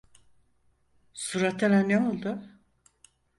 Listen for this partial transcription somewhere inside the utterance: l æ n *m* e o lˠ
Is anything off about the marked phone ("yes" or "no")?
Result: yes